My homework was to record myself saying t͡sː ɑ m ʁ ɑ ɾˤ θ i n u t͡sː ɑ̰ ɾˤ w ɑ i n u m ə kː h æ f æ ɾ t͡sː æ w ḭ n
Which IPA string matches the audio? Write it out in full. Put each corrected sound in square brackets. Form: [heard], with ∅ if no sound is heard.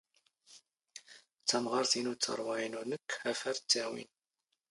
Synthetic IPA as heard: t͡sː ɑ m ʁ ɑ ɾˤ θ i n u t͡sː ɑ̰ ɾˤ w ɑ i n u [n] ə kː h æ f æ ɾ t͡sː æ w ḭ n